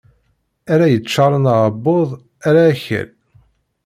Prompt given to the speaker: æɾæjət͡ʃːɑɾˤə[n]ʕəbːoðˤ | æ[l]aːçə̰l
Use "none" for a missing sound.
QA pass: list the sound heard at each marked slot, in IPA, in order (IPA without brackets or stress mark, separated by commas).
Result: n, ɾ